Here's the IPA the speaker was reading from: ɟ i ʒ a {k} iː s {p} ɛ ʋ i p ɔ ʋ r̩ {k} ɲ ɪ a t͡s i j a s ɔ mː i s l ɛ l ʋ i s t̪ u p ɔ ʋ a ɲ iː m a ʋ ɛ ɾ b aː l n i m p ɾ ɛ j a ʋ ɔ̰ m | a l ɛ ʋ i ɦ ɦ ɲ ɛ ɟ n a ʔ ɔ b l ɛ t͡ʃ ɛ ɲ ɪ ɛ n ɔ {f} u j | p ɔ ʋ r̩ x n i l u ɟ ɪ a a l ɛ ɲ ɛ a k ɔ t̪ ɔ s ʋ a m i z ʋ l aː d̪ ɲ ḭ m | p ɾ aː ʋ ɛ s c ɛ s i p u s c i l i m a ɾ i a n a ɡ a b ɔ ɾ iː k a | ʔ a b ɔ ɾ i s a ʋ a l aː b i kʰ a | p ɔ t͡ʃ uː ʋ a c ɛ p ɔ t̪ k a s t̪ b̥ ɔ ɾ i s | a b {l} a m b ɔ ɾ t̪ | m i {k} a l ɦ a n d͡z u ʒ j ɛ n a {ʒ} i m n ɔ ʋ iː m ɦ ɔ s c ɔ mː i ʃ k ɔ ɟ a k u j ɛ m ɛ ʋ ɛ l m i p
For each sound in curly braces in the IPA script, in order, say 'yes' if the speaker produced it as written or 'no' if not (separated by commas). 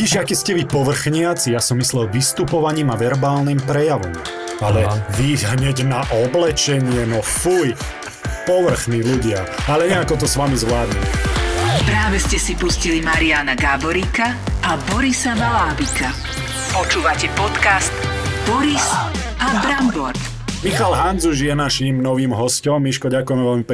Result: yes, no, no, yes, no, no, no